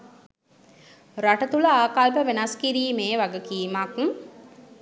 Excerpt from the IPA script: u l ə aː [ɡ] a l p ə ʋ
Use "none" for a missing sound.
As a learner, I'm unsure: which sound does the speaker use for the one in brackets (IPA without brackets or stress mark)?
k